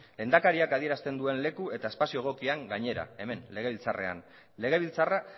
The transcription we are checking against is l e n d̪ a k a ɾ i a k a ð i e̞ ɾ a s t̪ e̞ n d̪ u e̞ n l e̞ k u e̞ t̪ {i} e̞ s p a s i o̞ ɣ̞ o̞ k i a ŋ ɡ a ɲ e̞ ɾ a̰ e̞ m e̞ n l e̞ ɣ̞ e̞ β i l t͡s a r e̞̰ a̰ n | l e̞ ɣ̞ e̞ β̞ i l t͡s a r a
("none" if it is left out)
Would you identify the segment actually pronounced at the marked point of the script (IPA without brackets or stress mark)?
a